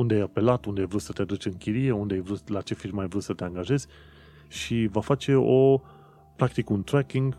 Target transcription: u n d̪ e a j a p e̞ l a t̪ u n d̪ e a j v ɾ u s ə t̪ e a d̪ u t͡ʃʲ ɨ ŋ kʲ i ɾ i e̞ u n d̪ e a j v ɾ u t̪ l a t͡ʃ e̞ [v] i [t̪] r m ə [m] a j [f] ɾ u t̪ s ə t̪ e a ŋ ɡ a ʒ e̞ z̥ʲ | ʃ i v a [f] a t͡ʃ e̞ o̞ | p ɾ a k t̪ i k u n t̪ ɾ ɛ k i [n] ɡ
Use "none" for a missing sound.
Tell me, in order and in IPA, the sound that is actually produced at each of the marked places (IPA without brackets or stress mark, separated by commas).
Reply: f, none, none, v, f, ŋ